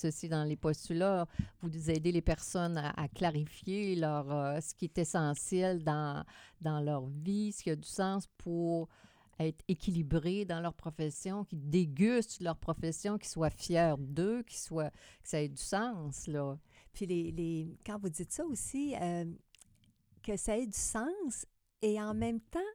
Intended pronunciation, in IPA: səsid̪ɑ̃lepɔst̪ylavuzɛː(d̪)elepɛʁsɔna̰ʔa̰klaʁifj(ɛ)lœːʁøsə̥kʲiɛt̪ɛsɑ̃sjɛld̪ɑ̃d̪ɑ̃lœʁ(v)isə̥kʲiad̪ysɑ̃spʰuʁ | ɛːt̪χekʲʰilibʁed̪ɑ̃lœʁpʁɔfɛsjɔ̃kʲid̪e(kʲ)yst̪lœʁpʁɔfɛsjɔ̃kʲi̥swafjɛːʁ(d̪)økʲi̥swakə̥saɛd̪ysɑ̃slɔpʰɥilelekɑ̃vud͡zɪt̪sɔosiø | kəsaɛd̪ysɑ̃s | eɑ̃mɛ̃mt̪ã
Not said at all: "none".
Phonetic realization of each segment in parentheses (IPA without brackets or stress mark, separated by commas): d̪, e, v, ɡʲ, d̪